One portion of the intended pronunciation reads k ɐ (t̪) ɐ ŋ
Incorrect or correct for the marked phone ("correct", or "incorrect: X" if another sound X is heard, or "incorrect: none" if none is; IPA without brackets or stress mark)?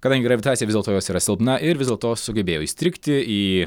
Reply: incorrect: d̪